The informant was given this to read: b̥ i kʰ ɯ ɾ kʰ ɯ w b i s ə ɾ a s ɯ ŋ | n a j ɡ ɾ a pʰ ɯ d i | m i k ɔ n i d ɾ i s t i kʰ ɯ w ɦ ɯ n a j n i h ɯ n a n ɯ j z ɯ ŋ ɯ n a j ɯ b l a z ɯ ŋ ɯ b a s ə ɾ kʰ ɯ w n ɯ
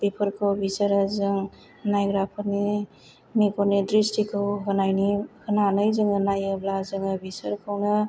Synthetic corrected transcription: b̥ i pʰ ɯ ɾ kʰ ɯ w b i s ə ɾ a z ɯ ŋ | n a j ɡ ɾ a pʰ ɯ n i | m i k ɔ n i d ɾ i s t i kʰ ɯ w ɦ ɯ n a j n i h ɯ n a n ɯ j z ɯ ŋ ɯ n a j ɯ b l a z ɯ ŋ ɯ b i s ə ɾ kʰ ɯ w n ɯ